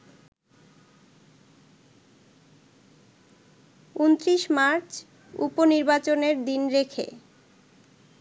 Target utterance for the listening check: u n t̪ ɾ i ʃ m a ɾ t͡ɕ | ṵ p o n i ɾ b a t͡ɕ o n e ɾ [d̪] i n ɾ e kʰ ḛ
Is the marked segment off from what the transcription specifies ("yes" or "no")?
no